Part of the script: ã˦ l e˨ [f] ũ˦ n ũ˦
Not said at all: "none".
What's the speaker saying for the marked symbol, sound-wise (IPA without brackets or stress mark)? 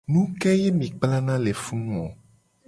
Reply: f